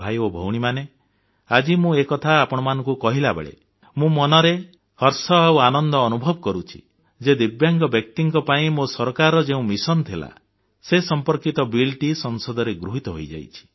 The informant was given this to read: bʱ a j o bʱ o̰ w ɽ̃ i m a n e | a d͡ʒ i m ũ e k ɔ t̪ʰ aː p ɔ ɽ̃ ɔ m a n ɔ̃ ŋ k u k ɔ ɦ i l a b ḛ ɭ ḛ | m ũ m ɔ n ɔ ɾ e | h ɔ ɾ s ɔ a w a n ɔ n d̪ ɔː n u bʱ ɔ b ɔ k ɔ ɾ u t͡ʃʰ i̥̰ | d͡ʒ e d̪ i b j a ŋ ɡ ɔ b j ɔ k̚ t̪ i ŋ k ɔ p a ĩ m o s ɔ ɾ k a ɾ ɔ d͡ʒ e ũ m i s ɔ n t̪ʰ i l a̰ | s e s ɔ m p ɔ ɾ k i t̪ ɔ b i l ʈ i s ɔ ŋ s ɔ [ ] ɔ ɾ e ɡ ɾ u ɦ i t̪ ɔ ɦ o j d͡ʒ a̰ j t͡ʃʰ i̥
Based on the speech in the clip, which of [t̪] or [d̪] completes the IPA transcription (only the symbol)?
d̪